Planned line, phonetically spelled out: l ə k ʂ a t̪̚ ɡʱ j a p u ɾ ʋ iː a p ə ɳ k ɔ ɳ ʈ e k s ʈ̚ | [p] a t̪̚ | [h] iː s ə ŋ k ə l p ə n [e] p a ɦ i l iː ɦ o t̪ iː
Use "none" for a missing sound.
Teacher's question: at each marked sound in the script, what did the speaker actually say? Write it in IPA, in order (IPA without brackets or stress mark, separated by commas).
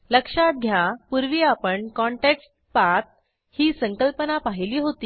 p, h, a